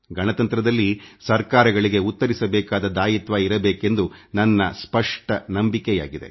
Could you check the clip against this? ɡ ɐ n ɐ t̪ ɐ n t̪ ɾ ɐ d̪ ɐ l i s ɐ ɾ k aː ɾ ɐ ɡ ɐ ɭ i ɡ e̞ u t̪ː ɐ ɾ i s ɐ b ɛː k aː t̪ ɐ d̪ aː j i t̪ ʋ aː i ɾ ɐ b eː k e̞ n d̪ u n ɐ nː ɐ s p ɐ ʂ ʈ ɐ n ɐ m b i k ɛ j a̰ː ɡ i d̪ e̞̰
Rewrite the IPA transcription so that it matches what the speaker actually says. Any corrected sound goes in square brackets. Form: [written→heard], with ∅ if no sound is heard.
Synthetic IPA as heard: ɡ ɐ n ɐ t̪ ɐ n t̪ ɾ ɐ d̪ ɐ [l→lː] i s ɐ ɾ k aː ɾ ɐ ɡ ɐ ɭ i ɡ e̞ u t̪ː ɐ ɾ i s ɐ b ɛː k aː [t̪→d̪] ɐ d̪ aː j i t̪ ʋ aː i ɾ ɐ b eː k e̞ n d̪ u n ɐ nː ɐ s p ɐ ʂ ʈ ɐ n ɐ m b i k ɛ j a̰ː ɡ i d̪ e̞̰